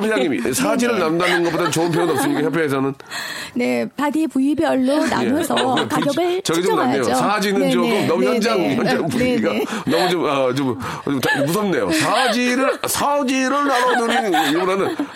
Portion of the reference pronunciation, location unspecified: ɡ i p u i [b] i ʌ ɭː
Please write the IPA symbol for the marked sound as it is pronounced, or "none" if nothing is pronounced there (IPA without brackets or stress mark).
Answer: b